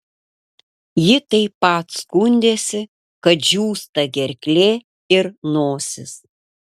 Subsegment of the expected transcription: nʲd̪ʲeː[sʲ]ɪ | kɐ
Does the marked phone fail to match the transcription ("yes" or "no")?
no